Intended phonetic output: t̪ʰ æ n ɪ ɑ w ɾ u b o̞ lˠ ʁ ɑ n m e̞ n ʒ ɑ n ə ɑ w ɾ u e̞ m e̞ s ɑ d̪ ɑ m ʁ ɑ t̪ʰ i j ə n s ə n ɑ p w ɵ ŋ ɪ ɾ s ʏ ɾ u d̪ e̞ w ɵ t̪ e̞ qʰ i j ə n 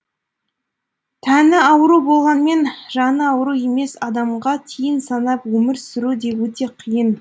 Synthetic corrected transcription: t̪ʰ æ n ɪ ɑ w ɾ u b o̞ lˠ ʁ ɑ n m e̞ n ʒ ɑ n ə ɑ w ɾ u e̞ m e̞ s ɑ d̪ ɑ m ʁ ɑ t̪ʰ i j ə n s ɑ n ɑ p w ɵ m ɪ ɾ s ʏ ɾ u d̪ e̞ w ɵ t̪ e̞ qʰ i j ə n